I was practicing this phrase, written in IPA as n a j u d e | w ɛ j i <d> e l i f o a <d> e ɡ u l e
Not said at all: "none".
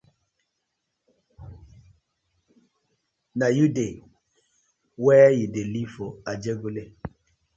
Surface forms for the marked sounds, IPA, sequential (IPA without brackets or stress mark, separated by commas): d, d͡ʒ